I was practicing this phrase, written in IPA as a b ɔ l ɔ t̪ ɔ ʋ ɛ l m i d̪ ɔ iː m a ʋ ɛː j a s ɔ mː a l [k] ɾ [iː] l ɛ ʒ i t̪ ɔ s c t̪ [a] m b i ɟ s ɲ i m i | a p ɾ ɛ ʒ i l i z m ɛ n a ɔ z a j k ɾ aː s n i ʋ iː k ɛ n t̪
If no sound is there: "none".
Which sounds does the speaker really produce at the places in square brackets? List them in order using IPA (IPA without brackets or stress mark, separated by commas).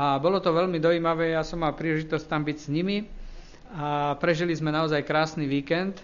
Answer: p, iː, a